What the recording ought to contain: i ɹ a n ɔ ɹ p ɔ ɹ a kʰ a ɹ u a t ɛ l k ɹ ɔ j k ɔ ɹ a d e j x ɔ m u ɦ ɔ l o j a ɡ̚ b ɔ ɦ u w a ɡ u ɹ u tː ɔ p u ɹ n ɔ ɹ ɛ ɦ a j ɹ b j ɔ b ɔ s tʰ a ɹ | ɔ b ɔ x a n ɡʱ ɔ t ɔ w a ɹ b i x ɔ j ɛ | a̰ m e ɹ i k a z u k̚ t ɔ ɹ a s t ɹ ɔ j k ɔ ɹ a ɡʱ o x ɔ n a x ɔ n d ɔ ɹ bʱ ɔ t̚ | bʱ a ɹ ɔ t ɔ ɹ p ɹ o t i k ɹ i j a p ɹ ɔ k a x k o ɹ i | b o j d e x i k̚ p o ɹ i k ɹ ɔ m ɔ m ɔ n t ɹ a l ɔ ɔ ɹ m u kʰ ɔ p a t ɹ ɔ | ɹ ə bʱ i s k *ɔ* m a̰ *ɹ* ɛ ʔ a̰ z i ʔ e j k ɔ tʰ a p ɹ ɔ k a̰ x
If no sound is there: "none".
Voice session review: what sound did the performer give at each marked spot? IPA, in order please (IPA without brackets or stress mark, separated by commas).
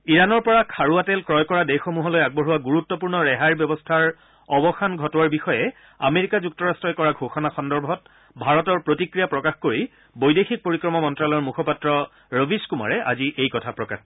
u, ɹ